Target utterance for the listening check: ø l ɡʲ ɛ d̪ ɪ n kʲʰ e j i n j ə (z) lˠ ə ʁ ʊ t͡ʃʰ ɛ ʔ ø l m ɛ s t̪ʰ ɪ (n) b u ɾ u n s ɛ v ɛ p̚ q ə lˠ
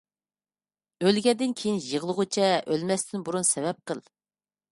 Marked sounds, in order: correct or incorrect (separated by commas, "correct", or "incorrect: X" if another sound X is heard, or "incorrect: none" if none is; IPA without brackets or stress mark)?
incorrect: ʁ, correct